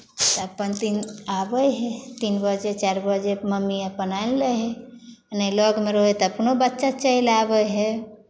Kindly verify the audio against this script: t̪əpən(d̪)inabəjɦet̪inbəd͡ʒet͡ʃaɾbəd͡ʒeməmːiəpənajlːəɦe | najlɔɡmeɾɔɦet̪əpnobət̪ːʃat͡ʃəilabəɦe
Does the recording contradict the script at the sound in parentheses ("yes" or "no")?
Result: yes